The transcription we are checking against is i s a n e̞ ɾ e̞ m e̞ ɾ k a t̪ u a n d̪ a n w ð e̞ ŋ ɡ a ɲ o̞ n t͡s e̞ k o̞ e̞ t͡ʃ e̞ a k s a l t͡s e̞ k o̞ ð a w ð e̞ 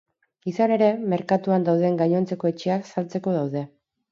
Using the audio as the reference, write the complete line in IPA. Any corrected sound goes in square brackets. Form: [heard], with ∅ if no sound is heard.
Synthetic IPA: i s a n e̞ ɾ e̞ m e̞ ɾ k a t̪ u a n d̪ a [∅] w ð e̞ ŋ ɡ a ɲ o̞ n t͡s e̞ k o̞ e̞ t͡ʃ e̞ a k s a l t͡s e̞ k o̞ ð a w ð e̞

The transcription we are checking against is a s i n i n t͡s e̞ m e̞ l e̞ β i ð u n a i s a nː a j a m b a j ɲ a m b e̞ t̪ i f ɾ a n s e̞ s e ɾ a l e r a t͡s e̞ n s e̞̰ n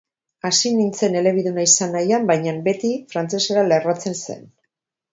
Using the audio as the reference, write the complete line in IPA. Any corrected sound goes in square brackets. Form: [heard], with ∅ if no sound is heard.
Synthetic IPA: a s i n i n t͡s e̞ [n] e̞ l e̞ β i ð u n a i s a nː a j a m b a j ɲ a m b e̞ t̪ i f ɾ a n [t͡s] e̞ s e ɾ a l e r a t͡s e̞ n s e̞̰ n

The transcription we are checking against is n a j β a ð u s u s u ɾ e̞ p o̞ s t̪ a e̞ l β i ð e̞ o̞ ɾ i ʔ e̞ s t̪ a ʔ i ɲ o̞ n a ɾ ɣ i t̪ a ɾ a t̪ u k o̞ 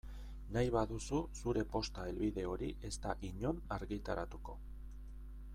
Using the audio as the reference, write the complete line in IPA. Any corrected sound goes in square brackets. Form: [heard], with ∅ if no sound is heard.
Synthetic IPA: n a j β a ð u s u s u ɾ e̞ p o̞ s t̪ a e̞ l β i ð e̞ o̞ ɾ i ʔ e̞ s t̪ a ʔ i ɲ o̞ n a ɾ ɣ i t̪ a ɾ a t̪ u k o̞

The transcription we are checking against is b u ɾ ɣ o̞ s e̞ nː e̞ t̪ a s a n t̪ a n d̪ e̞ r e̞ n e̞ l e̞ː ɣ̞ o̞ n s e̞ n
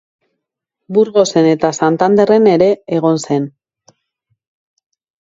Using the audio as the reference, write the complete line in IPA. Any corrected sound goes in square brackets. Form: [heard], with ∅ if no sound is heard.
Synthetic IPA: b u ɾ ɣ o̞ s e̞ [n] e̞ t̪ a s a n t̪ a n d̪ e̞ r e̞ n e̞ [ɾ] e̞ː ɣ̞ o̞ n s e̞ n

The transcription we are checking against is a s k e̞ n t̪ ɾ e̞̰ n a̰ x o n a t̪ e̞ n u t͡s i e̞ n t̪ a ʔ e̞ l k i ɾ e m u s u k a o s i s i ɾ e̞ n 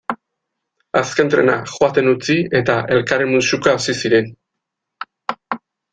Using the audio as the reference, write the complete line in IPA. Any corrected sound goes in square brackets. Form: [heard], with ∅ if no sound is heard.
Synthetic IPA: a s k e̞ n t̪ ɾ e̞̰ n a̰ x o [∅] a t̪ e̞ n u t͡s i e̞ [∅] t̪ a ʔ e̞ l k [a] ɾ e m u s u k a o s i s i ɾ e̞ n

